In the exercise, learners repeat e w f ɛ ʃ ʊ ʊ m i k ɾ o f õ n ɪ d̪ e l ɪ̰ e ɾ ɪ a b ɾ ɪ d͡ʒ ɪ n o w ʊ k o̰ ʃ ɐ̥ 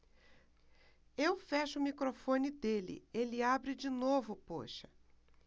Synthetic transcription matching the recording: e w f ɛ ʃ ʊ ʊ m i k ɾ o f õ n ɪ d̪ e l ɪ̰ e l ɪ a b ɾ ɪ d͡ʒ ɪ n o v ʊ p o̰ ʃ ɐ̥